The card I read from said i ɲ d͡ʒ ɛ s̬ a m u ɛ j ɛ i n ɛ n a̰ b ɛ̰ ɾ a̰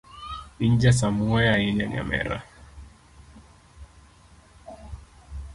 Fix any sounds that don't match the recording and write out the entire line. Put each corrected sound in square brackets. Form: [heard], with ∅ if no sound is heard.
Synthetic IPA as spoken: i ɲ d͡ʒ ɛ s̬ a m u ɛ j [a] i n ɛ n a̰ [m] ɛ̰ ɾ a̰